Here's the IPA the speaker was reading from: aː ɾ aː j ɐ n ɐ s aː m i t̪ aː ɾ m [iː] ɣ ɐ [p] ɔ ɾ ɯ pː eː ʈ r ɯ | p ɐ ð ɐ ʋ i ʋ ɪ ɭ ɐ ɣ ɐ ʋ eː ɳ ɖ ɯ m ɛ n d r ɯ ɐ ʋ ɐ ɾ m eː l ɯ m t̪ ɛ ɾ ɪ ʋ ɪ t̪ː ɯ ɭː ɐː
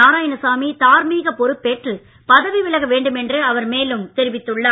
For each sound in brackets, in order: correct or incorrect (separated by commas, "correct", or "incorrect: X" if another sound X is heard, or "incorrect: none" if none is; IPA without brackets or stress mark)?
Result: correct, correct